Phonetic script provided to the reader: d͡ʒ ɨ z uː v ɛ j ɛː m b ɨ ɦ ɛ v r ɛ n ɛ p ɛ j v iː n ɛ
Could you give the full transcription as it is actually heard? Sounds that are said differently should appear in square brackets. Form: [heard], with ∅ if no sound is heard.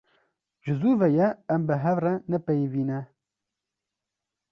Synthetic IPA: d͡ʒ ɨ z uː v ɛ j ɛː m b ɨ ɦ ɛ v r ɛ n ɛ p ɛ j v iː n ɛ